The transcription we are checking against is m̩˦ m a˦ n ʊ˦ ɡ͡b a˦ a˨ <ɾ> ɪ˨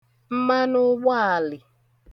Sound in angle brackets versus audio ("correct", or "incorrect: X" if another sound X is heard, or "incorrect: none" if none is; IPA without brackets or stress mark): incorrect: l